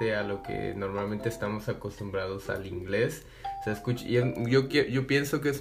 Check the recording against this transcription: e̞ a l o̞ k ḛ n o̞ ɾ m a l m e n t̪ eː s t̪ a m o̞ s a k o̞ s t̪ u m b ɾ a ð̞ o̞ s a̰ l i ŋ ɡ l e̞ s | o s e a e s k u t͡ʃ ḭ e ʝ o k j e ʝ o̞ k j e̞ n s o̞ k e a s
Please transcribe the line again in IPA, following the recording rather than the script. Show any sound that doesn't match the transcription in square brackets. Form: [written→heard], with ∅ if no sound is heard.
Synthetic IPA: e̞ a l o̞ k ḛ n o̞ ɾ m a l m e n t̪ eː s t̪ a m o̞ s a k o̞ s t̪ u m b ɾ a ð̞ o̞ s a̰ l i ŋ ɡ l e̞ s | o s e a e s k u t͡ʃ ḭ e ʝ o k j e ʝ o̞ [k→p] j e̞ n s o̞ k e [a→e] s